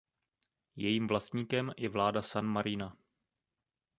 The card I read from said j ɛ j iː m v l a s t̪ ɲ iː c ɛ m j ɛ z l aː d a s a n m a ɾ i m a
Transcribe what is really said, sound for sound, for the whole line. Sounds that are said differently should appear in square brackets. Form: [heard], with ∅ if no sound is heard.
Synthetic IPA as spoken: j ɛ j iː m v l a s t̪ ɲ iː [k] ɛ m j ɛ [v] l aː d a s a n m a ɾ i [n] a